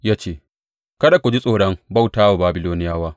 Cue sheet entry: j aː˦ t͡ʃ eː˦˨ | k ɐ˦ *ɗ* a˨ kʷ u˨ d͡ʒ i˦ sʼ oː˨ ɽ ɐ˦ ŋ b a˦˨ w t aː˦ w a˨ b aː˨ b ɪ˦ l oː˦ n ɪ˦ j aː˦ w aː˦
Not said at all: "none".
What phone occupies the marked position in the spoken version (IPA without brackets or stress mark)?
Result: d